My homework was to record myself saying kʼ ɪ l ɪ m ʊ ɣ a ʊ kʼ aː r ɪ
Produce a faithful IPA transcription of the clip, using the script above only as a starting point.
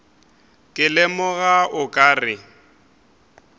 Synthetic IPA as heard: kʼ ɪ l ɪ m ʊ ɣ a ʊ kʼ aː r ɪ